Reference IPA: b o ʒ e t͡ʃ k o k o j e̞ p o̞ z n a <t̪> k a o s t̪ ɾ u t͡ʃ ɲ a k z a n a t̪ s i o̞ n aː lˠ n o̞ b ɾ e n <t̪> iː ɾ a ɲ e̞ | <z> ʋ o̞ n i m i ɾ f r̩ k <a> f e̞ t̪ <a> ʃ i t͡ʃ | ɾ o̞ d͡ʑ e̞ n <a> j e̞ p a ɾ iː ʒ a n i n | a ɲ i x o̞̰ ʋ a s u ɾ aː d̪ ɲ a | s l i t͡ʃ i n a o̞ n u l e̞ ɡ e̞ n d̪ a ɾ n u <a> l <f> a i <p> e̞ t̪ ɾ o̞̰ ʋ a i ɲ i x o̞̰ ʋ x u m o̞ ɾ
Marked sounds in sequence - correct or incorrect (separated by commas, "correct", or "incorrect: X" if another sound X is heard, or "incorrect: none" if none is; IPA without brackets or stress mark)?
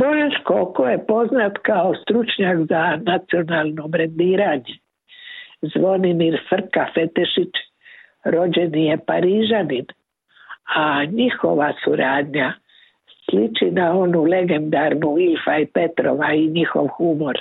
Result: correct, incorrect: d̪, correct, correct, incorrect: e, incorrect: i, incorrect: i, correct, correct